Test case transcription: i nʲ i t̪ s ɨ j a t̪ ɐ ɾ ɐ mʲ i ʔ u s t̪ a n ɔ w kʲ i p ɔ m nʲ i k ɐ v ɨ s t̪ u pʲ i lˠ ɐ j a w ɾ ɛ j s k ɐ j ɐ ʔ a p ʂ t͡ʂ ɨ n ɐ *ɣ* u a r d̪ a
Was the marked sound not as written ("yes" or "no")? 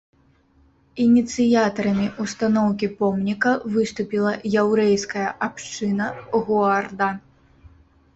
no